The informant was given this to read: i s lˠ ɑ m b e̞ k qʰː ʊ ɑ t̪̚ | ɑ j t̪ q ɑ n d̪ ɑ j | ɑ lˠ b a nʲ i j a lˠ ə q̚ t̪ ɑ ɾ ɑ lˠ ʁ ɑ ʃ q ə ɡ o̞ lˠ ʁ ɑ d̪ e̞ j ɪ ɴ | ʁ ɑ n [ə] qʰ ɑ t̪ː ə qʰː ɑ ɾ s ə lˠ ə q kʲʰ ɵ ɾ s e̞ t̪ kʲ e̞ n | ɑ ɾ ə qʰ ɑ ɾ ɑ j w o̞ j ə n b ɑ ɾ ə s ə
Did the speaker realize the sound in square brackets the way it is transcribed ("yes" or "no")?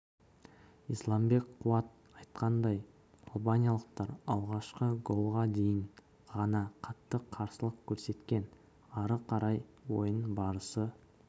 no